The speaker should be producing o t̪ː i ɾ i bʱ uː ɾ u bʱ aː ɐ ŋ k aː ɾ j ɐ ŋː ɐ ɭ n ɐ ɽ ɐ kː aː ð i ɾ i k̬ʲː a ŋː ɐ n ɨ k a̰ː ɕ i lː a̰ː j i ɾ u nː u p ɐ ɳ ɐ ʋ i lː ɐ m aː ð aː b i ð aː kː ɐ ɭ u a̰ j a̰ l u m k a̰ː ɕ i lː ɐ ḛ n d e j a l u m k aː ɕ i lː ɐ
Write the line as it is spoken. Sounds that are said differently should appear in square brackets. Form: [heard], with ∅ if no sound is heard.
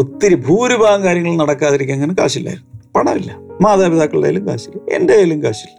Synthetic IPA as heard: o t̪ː i ɾ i bʱ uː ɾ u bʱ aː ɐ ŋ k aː ɾ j ɐ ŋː ɐ ɭ n ɐ ɽ ɐ kː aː ð i ɾ i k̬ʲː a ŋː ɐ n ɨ k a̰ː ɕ i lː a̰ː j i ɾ u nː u p ɐ ɳ ɐ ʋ i lː ɐ m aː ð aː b i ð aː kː ɐ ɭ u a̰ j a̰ l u m k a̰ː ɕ i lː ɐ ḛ n d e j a l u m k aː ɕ i lː ɐ